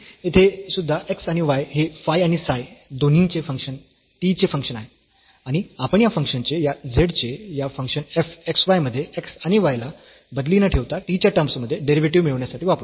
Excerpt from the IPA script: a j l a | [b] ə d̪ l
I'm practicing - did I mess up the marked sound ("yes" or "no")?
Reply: no